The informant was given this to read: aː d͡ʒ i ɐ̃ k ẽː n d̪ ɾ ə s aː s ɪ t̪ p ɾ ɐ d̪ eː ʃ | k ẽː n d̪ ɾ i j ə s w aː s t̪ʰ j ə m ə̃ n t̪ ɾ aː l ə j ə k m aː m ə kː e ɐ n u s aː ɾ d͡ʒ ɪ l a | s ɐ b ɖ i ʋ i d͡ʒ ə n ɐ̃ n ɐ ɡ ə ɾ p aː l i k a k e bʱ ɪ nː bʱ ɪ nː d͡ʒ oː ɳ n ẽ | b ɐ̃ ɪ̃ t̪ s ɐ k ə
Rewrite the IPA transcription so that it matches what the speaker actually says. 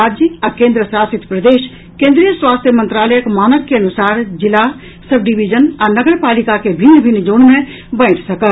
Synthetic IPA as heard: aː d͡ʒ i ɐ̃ k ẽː n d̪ ɾ ə s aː s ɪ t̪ p ɾ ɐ d̪ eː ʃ | k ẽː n d̪ ɾ i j ə s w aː s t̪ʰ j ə m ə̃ n t̪ ɾ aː l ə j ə k m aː n ə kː e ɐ n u s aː ɾ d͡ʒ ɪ l a | s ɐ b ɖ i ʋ i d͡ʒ ə n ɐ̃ n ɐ ɡ ə ɾ p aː l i k a k e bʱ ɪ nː bʱ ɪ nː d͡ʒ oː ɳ m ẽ | b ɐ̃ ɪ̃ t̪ s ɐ k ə